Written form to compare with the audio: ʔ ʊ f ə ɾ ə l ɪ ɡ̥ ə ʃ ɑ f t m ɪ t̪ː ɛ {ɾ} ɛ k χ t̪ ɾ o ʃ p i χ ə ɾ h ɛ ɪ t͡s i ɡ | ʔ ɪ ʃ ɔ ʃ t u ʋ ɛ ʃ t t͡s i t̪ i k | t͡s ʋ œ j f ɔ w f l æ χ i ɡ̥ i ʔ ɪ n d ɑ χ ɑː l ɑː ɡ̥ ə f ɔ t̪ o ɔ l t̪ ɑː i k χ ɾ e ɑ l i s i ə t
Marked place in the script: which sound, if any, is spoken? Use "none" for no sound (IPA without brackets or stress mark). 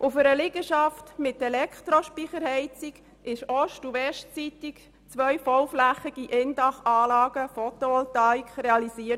l